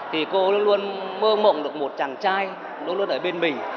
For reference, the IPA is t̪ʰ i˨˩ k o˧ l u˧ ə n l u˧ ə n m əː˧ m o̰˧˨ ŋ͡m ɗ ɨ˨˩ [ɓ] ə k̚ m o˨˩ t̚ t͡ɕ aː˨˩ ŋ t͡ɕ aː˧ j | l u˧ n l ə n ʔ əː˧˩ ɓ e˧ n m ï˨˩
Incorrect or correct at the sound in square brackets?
incorrect: none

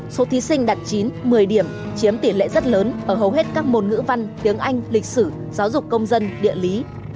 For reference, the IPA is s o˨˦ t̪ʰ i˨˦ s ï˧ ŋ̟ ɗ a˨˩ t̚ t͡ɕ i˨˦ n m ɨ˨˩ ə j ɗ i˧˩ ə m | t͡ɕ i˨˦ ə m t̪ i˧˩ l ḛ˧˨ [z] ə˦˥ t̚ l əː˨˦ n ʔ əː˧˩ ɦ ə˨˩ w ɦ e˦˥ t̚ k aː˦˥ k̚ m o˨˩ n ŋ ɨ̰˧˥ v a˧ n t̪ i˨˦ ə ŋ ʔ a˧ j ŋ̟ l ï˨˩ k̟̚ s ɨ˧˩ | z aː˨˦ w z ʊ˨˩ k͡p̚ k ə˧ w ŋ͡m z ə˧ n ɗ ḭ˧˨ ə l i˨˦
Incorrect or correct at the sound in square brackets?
correct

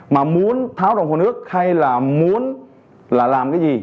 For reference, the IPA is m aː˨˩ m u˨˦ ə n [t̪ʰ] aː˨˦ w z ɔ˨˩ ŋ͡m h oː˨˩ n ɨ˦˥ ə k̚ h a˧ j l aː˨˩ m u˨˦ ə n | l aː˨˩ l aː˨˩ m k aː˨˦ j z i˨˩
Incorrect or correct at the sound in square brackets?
correct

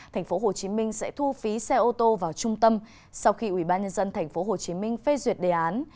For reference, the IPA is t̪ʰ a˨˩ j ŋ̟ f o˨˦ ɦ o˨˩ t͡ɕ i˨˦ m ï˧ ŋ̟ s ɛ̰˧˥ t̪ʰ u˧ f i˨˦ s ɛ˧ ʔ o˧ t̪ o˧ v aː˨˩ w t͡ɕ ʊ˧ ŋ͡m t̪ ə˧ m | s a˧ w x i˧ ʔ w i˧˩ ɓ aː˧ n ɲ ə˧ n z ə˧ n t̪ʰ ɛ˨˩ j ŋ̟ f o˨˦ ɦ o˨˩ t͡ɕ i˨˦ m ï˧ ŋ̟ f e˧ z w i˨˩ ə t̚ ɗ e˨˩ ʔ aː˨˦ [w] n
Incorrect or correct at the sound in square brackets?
incorrect: none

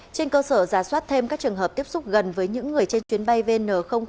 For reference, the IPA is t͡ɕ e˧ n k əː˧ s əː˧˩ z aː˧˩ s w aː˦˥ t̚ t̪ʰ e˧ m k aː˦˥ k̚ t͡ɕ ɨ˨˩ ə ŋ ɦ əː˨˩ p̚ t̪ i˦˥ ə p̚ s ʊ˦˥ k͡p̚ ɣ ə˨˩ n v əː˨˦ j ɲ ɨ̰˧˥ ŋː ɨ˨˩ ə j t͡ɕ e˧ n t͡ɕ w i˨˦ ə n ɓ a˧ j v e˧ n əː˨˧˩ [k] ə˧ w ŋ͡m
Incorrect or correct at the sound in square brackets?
incorrect: x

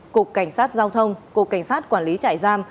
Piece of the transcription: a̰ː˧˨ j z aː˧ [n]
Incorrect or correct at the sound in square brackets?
incorrect: m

